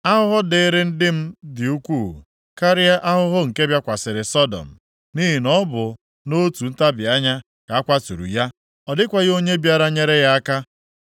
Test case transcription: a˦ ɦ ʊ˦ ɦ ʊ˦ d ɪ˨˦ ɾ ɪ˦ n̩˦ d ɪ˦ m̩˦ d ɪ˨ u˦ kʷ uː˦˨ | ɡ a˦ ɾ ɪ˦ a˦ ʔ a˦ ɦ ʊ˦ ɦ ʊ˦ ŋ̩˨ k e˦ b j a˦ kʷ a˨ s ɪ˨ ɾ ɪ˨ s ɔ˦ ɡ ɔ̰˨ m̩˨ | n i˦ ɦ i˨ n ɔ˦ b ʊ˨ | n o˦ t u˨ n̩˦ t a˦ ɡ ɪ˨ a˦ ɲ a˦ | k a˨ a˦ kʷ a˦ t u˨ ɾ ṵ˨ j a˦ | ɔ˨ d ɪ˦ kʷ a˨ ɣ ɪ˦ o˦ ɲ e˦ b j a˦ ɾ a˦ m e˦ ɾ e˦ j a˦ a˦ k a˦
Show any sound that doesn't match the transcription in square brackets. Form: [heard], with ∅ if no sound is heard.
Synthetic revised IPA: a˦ ɦ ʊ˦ ɦ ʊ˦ d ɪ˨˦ ɾ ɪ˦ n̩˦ d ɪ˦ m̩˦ d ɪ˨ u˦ kʷ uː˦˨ | [k] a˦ ɾ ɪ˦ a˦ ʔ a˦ ɦ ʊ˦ ɦ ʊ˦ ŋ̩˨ k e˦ b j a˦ kʷ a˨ s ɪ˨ ɾ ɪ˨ s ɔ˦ [d] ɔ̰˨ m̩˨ | n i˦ ɦ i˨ n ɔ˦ b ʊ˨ | n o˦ t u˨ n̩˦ t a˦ [b] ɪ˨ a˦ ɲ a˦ | k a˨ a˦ kʷ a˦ t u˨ ɾ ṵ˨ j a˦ | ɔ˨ d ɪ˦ kʷ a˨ ɣ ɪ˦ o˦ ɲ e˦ b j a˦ ɾ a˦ [ɲ] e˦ ɾ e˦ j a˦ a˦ k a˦

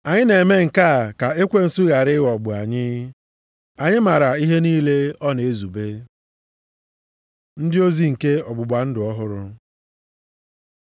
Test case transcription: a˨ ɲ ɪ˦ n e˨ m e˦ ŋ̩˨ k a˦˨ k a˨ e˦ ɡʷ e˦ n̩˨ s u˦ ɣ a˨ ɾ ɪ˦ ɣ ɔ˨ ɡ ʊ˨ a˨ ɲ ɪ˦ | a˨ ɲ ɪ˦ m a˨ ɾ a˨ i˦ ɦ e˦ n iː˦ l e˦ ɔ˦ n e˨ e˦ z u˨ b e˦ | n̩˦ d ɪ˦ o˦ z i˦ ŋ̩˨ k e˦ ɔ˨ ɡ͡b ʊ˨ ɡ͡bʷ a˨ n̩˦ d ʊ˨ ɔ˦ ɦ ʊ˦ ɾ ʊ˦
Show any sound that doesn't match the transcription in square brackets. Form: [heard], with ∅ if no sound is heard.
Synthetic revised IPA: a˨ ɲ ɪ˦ n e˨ m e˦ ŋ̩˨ k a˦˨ k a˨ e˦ [kʷ] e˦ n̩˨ s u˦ ɣ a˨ ɾ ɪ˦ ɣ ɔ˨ [ɡ͡b] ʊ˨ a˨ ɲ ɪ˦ | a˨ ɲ ɪ˦ m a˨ ɾ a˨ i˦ ɦ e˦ n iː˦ l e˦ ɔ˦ n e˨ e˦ z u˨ b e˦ | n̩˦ d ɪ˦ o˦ z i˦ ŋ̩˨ k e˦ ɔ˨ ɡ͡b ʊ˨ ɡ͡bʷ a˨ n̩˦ d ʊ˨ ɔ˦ ɦ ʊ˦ ɾ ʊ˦

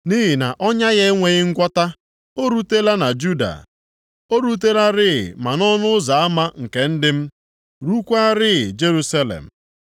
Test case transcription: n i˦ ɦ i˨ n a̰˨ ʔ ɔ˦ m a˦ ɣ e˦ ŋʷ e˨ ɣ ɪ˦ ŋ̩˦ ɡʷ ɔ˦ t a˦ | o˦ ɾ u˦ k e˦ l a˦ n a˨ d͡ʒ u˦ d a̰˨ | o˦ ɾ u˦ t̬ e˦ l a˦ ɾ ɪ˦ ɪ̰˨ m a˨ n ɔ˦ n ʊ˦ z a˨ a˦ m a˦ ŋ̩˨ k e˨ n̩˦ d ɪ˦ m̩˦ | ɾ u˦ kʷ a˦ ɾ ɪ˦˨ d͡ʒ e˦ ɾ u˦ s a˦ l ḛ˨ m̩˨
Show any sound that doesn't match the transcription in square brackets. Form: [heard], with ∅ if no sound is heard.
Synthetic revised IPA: n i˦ ɦ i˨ n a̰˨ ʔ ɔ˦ [ɲ] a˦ ɣ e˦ ŋʷ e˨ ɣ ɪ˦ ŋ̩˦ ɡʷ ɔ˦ t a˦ | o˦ ɾ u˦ [t] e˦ l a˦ n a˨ d͡ʒ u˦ d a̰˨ | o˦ ɾ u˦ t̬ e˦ l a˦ ɾ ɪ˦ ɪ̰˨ m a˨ n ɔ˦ n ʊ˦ z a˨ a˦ m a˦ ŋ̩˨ k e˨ n̩˦ d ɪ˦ m̩˦ | ɾ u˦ kʷ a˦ ɾ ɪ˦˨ d͡ʒ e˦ ɾ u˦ s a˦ l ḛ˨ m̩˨

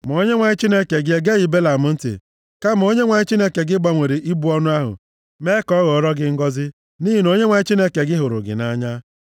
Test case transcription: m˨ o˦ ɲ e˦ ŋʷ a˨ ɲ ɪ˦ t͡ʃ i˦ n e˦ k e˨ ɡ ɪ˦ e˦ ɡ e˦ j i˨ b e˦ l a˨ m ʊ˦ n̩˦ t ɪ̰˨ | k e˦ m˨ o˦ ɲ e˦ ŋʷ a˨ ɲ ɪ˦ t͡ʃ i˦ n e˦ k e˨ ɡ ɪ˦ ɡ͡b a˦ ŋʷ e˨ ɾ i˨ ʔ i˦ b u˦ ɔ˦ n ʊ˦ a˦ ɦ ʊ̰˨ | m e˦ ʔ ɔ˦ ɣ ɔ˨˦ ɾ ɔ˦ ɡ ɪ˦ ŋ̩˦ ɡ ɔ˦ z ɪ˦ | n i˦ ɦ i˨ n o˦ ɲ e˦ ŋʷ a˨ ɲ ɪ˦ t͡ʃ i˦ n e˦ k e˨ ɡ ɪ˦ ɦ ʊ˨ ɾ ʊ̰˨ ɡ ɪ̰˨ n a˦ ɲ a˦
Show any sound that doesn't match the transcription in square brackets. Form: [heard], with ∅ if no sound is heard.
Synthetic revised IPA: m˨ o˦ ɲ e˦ ŋʷ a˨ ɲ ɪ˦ t͡ʃ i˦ n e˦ k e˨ ɡ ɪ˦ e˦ ɡ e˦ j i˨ b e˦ l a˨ m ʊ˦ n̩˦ t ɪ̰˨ | k [a˦] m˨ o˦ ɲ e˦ ŋʷ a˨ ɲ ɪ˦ t͡ʃ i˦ n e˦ k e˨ ɡ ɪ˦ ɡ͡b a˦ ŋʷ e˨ ɾ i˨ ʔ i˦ b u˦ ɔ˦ n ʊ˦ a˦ ɦ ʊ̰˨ | m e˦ [k] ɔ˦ ɣ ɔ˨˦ ɾ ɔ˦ ɡ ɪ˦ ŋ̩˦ ɡ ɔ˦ z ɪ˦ | n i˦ ɦ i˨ n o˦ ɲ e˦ ŋʷ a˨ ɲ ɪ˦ t͡ʃ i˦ n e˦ k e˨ ɡ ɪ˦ ɦ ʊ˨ ɾ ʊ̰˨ ɡ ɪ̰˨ n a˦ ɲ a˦

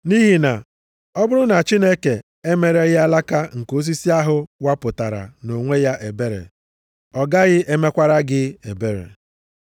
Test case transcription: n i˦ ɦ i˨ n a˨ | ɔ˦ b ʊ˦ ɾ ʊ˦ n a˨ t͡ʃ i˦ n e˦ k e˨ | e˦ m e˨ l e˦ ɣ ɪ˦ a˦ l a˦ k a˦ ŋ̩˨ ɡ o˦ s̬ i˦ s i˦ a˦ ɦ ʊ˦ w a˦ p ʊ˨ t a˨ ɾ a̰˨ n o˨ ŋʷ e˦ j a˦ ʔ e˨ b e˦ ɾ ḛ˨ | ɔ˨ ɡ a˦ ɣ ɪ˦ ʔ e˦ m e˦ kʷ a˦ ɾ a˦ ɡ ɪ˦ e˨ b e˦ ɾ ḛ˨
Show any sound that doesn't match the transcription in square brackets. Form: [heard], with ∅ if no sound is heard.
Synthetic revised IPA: n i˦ ɦ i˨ n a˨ | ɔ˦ b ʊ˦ ɾ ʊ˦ n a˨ t͡ʃ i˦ n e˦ k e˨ | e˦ m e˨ [ɾ] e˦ ɣ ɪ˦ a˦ l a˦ k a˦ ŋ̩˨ [k] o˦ s̬ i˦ s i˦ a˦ ɦ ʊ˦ w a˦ p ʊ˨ t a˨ ɾ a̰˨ n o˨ ŋʷ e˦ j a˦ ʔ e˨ b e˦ ɾ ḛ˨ | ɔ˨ ɡ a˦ ɣ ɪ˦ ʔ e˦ m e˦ kʷ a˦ ɾ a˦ ɡ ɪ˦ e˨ b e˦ ɾ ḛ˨

